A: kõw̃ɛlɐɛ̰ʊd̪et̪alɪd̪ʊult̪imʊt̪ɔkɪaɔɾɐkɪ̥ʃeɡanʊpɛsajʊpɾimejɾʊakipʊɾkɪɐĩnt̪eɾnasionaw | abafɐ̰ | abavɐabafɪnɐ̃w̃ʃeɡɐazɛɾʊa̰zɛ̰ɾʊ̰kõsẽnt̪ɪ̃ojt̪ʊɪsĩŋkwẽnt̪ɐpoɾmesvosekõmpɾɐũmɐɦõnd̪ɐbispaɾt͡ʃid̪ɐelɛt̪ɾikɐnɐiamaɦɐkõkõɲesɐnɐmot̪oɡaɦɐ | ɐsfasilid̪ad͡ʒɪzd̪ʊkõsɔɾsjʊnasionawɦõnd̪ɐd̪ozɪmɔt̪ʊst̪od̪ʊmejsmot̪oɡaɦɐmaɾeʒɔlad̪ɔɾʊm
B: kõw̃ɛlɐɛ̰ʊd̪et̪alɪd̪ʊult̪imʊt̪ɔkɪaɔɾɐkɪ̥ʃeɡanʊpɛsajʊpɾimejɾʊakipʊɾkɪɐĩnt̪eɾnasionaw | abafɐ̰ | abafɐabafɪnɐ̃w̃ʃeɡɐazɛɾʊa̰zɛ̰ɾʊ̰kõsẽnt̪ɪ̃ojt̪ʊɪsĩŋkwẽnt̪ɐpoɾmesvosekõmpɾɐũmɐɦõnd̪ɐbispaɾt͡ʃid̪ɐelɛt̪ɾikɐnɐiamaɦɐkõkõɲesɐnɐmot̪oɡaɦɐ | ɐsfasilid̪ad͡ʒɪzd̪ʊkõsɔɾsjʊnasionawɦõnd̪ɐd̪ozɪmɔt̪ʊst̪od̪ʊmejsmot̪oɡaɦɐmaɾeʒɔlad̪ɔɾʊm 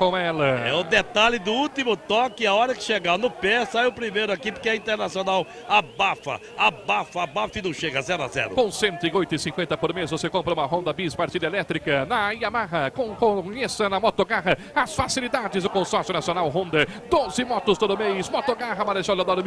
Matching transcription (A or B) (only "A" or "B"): B